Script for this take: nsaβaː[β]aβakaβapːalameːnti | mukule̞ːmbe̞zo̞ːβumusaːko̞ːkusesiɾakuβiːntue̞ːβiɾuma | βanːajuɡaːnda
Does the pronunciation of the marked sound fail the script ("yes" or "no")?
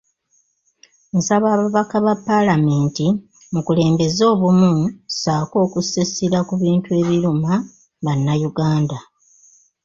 no